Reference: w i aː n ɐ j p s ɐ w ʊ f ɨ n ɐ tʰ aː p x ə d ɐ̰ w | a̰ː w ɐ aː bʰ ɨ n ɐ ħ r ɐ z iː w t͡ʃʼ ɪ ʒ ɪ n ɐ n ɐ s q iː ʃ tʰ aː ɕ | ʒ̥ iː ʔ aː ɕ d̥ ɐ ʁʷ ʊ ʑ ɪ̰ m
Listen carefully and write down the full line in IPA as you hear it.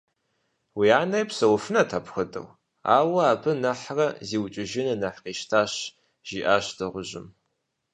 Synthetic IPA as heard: w i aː n ɐ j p s ɐ w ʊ f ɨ n ɐ tʰ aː p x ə d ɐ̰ w | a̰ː w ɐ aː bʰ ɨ n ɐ ħ r ɐ z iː w t͡ʃʼ ɪ ʒ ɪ n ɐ n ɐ ħ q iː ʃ tʰ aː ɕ | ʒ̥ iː ʔ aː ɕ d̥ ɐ ʁʷ ʊ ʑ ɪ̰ m